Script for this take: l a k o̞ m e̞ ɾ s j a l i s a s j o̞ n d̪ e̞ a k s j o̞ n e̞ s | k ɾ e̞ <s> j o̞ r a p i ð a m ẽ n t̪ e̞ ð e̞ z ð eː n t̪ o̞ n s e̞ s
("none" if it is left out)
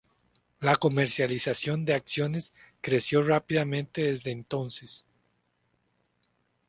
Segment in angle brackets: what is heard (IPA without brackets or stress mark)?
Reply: s